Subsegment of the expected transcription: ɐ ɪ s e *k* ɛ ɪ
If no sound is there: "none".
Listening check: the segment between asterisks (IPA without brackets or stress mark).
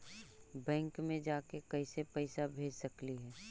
p